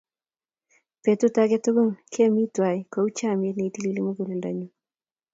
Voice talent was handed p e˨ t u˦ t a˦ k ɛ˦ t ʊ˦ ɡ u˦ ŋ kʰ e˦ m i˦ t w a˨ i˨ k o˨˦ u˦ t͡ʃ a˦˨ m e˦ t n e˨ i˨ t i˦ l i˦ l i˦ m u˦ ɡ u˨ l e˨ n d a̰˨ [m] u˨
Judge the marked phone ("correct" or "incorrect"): incorrect